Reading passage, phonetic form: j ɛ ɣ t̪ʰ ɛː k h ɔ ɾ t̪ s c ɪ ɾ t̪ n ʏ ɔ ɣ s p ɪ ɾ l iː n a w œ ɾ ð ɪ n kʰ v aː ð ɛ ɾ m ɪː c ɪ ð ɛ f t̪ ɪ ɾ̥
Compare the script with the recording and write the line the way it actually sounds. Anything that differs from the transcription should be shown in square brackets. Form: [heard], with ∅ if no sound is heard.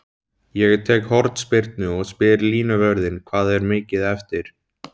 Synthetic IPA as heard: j ɛ ɣ t̪ʰ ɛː k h ɔ ɾ t̪ s [p] ɪ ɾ t̪ n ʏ ɔ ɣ s p ɪ ɾ l iː n a [v] œ ɾ ð ɪ n kʰ v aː ð ɛ ɾ m ɪː c ɪ ð ɛ f t̪ ɪ ɾ̥